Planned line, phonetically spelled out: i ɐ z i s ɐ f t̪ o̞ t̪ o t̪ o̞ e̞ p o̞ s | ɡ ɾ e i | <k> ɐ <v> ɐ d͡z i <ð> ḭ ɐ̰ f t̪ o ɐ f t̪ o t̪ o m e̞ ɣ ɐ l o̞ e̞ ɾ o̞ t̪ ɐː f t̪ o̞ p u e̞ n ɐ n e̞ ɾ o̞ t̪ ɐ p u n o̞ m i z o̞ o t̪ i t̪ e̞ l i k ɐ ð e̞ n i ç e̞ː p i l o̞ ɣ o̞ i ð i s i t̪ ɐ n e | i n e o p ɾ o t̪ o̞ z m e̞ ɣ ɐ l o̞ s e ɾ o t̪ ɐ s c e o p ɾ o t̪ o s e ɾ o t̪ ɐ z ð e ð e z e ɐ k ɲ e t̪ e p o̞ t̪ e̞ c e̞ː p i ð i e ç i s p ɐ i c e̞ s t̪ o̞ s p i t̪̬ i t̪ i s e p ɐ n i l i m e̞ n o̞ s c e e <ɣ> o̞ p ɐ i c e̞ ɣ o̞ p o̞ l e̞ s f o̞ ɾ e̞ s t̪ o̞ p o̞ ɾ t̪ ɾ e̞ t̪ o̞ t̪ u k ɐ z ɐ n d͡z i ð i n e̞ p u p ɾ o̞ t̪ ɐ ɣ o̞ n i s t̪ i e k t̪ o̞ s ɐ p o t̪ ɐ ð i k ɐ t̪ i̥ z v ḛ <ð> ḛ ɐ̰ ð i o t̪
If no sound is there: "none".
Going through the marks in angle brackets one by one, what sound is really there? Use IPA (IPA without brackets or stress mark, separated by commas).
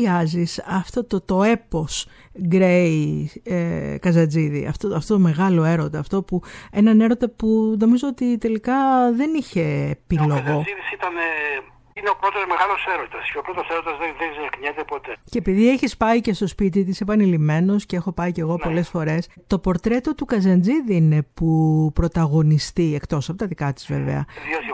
k, z, ð, x, v